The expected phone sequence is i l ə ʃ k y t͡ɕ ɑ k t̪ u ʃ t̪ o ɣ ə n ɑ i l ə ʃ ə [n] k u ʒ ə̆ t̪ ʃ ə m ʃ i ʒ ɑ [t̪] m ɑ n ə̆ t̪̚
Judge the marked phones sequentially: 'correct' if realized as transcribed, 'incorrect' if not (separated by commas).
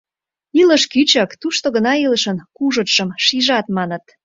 correct, correct